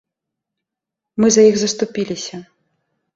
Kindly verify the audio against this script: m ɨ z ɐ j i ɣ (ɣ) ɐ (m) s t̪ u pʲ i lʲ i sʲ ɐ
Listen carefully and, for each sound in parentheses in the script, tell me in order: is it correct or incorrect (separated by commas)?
incorrect, incorrect